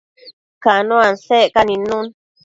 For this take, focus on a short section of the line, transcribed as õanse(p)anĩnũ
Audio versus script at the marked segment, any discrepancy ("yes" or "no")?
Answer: yes